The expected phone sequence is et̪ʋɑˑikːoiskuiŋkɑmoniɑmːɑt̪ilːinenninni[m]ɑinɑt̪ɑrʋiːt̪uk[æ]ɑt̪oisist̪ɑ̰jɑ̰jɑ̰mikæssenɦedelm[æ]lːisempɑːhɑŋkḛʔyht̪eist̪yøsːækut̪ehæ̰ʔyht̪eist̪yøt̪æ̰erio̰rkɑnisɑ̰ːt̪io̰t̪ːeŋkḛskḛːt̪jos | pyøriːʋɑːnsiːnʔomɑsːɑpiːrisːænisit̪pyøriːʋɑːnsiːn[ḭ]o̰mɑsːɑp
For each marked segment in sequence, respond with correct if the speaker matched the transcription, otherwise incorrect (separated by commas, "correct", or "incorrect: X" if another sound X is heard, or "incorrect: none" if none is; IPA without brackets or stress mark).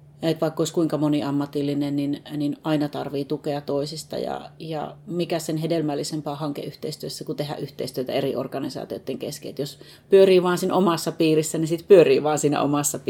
incorrect: n, incorrect: e, correct, incorrect: æ̰